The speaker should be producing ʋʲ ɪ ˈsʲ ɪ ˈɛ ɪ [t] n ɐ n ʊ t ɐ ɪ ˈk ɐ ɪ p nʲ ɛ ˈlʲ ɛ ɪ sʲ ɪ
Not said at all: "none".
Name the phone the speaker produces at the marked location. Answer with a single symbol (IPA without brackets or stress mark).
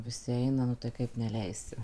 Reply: none